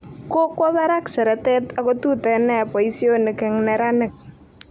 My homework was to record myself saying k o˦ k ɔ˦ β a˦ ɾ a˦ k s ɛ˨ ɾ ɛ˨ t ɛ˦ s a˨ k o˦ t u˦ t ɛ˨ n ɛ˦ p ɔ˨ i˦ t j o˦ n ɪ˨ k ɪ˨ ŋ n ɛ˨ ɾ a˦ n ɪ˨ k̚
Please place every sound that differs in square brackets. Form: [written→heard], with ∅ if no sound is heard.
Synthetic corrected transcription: k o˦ k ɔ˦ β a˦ ɾ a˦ k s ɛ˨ ɾ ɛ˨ t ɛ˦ [s→t] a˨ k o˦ t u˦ t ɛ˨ n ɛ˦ p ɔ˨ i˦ [t→s] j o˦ n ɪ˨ k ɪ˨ ŋ n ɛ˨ ɾ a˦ n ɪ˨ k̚